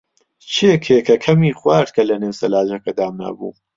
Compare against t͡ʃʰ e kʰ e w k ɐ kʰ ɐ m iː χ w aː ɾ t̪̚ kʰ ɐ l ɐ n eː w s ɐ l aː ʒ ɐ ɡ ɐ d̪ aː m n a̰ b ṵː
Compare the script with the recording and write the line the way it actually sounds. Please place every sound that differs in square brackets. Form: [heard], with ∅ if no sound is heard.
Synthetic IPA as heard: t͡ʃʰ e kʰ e [∅] k ɐ kʰ ɐ m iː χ w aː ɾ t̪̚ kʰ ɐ l ɐ n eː w s ɐ l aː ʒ ɐ [k] ɐ d̪ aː m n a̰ b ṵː